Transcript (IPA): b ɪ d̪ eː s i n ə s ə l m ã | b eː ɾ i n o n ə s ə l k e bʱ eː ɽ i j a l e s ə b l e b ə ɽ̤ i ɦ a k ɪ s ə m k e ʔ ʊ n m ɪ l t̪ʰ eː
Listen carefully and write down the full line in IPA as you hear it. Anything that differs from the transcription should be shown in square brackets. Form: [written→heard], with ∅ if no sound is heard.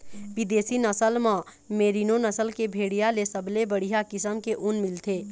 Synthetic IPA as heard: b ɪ d̪ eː s i n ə s ə l m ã | [b→m] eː ɾ i n o n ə s ə l k e bʱ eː ɽ i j a l e s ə b l e b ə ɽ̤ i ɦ a k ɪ s ə m k e ʔ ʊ n m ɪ l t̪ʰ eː